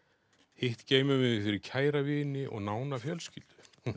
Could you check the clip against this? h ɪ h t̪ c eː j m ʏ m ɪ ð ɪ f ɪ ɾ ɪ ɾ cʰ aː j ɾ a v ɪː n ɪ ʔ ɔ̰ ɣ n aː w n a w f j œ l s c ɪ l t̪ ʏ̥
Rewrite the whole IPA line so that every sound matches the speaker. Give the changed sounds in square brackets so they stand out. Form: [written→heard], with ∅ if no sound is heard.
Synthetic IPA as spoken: h ɪ h t̪ c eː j m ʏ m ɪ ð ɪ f ɪ ɾ ɪ ɾ cʰ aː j ɾ a v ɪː n ɪ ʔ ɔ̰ ɣ n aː w n a [w→∅] f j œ l s c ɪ l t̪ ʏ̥